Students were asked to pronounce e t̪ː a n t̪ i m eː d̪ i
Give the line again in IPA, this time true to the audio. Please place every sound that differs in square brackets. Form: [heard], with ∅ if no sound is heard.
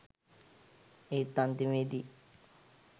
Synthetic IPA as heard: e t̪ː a n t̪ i m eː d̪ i